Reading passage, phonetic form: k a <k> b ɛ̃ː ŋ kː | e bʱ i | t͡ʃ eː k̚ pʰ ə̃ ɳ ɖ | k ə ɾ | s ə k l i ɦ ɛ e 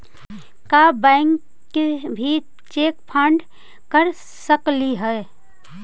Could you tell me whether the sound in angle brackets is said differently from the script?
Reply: yes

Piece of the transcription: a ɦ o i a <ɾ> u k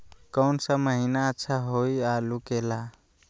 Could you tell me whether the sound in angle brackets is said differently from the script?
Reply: yes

